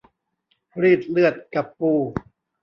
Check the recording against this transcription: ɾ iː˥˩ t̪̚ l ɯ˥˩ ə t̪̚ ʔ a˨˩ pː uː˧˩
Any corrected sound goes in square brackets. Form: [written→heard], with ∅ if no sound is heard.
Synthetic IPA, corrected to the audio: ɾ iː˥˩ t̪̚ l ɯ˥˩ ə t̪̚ [ʔ→k] a˨˩ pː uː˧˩